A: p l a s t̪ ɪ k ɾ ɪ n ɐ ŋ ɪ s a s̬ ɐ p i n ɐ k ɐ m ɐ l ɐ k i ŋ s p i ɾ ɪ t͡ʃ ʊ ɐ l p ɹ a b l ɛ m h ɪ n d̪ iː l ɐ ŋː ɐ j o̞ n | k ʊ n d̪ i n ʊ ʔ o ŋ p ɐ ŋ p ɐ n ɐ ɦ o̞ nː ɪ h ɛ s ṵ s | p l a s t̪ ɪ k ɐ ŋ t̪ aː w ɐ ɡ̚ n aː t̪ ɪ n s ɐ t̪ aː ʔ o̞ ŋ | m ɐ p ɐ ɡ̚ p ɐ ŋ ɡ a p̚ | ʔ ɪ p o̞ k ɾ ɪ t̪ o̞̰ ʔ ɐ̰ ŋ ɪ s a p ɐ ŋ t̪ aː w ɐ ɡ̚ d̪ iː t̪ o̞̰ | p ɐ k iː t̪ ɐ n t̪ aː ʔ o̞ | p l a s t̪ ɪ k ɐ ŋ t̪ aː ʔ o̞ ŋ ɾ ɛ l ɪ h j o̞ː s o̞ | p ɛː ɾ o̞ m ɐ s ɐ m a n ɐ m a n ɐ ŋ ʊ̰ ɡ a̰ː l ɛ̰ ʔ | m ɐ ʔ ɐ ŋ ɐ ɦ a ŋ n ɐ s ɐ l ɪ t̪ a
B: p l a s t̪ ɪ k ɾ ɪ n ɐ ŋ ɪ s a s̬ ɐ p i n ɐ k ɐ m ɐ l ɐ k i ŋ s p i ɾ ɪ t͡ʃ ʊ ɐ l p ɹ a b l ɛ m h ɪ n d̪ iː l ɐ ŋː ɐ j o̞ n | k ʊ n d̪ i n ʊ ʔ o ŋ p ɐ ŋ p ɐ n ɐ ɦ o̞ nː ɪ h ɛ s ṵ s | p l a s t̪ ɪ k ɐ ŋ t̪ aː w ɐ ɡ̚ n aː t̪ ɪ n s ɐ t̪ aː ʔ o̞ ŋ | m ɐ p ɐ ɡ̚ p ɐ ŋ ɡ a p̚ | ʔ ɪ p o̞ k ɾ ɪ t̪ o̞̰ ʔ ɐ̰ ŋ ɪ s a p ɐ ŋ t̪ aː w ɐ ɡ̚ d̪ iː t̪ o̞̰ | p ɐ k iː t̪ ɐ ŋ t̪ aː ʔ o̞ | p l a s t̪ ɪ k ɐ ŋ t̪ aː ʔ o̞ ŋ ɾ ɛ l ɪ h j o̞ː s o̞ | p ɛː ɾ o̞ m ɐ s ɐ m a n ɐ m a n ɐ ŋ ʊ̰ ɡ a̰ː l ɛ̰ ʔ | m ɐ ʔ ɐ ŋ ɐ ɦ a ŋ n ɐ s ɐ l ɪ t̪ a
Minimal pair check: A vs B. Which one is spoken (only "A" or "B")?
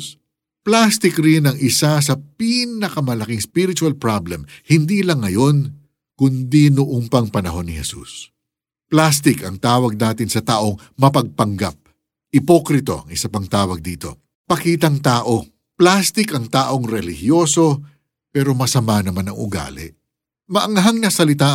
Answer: B